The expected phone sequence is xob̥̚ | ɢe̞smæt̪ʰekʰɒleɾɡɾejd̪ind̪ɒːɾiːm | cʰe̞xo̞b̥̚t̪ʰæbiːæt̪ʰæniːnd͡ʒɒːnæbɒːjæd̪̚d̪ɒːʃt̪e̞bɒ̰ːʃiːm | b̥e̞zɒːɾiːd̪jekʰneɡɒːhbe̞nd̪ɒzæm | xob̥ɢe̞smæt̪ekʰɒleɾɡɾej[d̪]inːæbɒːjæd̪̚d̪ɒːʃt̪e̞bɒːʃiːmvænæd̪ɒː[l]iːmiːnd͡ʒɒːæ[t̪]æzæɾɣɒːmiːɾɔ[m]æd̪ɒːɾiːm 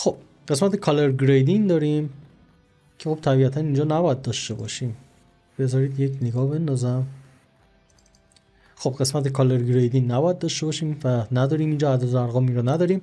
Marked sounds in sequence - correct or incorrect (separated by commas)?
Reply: correct, incorrect, incorrect, incorrect